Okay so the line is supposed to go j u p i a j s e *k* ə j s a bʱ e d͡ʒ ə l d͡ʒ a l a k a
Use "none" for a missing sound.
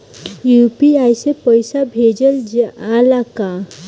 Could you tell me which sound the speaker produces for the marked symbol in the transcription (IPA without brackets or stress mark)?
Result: p